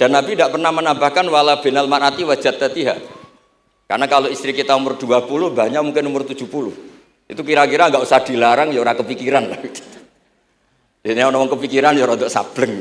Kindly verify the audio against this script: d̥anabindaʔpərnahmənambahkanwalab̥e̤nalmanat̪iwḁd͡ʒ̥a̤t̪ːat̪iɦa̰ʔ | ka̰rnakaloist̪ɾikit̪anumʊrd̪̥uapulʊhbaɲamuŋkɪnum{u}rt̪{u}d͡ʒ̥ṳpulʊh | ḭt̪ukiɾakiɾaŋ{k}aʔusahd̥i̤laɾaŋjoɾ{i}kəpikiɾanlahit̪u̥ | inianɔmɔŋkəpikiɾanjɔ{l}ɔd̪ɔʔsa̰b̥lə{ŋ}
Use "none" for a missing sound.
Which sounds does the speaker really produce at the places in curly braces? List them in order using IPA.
ʊ, u, ɡ, a, ɾ, ŋ

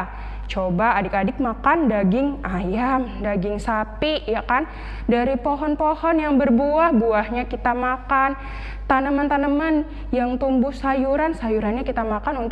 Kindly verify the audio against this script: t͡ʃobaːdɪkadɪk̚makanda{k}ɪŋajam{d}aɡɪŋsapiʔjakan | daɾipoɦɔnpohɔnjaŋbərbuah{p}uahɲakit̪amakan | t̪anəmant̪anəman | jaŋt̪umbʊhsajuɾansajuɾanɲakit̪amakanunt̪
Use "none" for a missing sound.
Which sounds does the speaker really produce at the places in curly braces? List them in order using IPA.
ɡ, d, b

